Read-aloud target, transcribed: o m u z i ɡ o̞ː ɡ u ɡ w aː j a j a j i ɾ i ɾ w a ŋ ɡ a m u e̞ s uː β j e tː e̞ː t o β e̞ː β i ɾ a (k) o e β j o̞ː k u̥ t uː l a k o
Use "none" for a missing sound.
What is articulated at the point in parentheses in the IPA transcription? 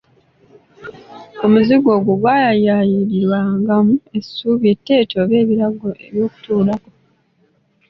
ɡ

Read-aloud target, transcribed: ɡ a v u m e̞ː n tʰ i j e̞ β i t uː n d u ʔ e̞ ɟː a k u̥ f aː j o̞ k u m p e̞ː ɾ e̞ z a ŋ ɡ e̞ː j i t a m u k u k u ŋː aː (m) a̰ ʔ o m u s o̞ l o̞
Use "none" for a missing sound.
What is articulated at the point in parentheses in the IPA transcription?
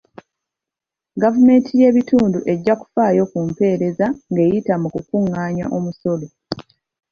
ɲ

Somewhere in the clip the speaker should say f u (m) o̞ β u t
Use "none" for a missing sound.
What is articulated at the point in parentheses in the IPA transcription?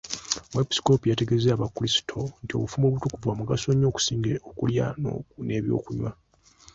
m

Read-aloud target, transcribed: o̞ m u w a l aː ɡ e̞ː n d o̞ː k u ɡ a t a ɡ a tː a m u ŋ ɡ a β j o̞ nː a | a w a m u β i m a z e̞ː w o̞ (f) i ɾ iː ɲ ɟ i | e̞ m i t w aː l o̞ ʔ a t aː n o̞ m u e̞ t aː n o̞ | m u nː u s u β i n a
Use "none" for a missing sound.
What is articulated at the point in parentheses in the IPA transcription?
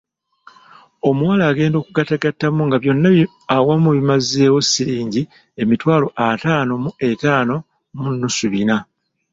s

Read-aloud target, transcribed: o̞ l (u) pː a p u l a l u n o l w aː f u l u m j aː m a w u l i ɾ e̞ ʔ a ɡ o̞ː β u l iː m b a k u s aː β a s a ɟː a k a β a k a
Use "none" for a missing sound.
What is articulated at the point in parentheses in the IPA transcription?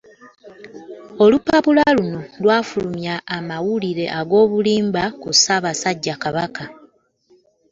u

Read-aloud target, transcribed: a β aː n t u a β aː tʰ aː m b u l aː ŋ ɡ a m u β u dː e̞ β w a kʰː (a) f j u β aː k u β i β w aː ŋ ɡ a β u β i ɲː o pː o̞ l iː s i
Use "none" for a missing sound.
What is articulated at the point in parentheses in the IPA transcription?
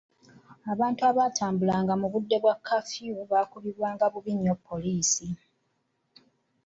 a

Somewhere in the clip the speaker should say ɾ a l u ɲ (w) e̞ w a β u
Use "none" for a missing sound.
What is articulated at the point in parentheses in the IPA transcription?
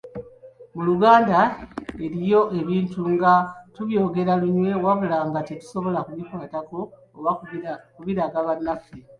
w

